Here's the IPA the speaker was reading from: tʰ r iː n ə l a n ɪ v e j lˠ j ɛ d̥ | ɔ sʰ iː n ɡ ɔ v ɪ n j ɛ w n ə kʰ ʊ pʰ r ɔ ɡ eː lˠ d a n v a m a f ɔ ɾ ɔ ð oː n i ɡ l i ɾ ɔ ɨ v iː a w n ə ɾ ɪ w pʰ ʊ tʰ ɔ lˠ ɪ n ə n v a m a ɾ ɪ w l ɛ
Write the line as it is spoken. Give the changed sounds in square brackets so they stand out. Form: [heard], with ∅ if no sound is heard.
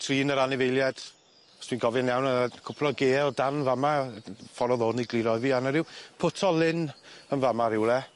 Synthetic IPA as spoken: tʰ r iː n ə [ɾ] a n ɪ v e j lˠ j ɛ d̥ | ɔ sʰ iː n ɡ ɔ v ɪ n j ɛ w n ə kʰ ʊ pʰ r ɔ ɡ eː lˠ d a n v a m a f ɔ ɾ ɔ ð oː n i ɡ l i ɾ ɔ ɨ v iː a [∅] n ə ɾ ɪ w pʰ ʊ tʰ ɔ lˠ ɪ n ə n v a m a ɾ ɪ w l ɛ